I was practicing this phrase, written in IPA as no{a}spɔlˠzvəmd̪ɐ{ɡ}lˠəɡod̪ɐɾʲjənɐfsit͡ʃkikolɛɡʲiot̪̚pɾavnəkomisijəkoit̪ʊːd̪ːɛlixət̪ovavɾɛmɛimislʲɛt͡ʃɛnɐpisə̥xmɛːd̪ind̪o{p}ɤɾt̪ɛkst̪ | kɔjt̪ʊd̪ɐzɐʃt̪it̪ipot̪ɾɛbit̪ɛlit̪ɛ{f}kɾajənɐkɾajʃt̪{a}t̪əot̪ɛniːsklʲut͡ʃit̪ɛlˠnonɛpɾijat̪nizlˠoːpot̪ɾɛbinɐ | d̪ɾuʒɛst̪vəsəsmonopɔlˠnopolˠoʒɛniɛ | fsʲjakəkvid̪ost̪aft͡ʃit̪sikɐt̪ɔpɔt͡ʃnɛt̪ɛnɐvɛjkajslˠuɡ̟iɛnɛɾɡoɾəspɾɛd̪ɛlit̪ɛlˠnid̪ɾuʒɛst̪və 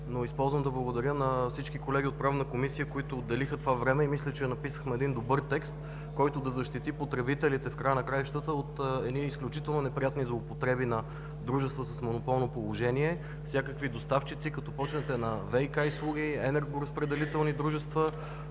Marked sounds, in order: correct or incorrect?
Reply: incorrect, incorrect, incorrect, correct, incorrect

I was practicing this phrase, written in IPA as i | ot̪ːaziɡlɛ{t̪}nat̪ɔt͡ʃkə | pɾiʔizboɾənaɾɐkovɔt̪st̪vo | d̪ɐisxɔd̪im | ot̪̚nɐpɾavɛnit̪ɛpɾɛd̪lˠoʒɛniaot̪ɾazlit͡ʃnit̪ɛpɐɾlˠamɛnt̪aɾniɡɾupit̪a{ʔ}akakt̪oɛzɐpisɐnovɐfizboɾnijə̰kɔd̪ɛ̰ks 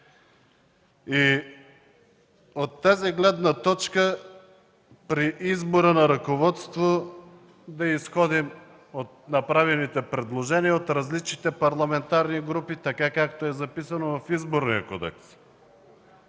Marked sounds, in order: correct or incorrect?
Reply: incorrect, incorrect

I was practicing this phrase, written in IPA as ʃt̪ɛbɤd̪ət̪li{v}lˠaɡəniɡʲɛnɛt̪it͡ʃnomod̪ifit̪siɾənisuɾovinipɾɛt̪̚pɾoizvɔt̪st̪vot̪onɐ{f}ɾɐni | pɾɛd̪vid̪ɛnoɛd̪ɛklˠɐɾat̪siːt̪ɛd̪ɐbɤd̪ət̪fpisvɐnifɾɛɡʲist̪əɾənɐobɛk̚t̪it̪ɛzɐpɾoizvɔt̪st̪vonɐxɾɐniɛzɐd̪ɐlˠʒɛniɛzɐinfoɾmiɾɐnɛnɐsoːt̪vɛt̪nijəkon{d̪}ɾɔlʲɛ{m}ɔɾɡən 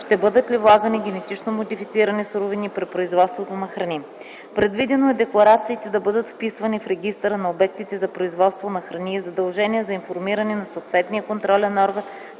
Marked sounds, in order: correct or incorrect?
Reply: correct, incorrect, incorrect, incorrect

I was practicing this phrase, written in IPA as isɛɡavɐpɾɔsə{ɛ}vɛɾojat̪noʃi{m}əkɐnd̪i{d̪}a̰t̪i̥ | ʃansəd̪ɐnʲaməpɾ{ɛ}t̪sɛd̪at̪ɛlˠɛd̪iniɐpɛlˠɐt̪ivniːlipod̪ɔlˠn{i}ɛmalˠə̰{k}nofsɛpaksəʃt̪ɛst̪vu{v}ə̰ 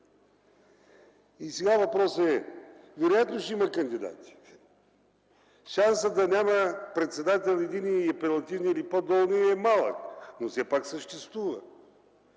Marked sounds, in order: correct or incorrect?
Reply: correct, correct, correct, correct, correct, correct, correct

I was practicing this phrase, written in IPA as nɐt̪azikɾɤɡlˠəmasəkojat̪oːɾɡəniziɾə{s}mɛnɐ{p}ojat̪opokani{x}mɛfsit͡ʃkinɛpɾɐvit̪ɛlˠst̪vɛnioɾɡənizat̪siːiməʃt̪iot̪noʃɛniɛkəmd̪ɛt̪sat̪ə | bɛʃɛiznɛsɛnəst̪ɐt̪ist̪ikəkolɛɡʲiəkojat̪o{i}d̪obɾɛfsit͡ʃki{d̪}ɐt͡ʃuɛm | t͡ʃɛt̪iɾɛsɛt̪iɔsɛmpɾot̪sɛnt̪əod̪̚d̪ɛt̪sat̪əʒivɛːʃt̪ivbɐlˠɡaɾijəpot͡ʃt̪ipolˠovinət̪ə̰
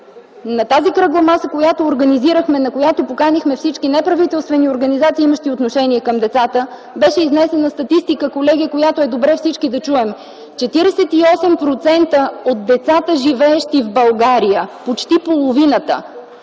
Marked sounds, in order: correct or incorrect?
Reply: incorrect, incorrect, correct, incorrect, correct

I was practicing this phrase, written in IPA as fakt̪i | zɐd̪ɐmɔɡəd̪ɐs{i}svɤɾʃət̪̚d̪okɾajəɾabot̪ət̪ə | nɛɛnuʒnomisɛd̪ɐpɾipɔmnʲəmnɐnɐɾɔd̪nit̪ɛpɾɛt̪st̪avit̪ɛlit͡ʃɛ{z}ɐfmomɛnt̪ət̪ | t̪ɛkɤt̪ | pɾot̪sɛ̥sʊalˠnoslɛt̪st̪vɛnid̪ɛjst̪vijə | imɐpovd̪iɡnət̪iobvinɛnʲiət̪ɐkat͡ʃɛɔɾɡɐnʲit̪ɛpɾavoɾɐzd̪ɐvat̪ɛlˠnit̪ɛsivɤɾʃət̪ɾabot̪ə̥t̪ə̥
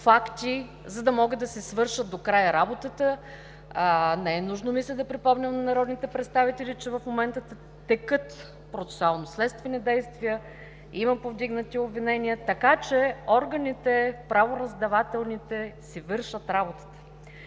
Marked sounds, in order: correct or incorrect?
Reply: incorrect, incorrect

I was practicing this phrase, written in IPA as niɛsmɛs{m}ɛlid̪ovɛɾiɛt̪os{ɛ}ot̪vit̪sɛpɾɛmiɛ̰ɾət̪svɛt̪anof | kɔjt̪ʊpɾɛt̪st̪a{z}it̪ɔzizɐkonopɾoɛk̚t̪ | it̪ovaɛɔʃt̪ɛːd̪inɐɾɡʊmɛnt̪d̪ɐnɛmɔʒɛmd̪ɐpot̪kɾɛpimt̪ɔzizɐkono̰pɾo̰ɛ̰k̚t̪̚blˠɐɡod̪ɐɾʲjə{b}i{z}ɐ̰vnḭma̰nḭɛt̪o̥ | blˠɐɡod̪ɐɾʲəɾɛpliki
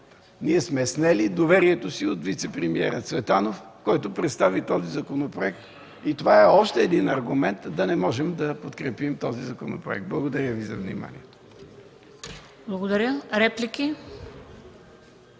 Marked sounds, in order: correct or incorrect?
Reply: incorrect, incorrect, incorrect, incorrect, correct

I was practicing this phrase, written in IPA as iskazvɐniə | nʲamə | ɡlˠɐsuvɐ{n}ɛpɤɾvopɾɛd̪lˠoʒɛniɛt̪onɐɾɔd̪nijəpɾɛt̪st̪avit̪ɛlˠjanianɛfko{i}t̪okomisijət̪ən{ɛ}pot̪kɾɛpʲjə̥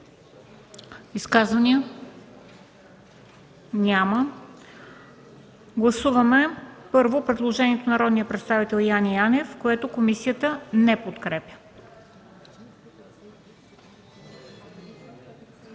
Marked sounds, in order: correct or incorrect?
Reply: incorrect, incorrect, correct

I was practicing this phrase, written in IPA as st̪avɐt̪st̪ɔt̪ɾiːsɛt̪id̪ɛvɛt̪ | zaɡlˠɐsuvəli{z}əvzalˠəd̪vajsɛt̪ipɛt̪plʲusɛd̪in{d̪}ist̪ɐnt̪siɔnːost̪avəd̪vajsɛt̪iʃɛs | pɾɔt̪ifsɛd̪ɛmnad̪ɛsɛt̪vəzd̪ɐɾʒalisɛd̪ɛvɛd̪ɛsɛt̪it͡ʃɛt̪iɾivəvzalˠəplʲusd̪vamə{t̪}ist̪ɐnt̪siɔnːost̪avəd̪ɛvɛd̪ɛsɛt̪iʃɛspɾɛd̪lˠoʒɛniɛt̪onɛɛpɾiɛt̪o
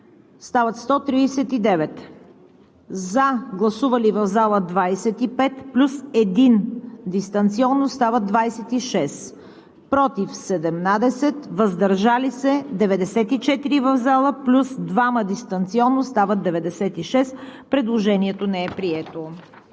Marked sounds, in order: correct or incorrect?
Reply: incorrect, correct, incorrect

